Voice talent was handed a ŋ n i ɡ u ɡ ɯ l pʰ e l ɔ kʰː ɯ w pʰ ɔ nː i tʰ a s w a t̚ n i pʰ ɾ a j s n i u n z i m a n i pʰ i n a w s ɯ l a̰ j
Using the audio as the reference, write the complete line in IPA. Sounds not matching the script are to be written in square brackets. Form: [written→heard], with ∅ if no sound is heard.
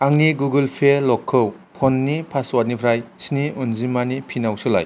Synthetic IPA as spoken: a ŋ n i ɡ u ɡ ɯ l pʰ e l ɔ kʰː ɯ w pʰ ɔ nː i [tʰ→pʰ] a s w a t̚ n i pʰ ɾ a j s n i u n z i m a n i pʰ i n a w s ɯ l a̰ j